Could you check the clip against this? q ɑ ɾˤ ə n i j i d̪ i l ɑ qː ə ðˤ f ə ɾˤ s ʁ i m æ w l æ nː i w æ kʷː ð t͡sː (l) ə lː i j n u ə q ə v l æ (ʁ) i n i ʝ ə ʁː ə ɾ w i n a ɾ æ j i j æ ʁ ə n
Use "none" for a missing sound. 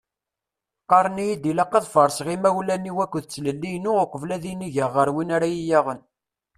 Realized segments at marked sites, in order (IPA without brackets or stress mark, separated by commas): l, ð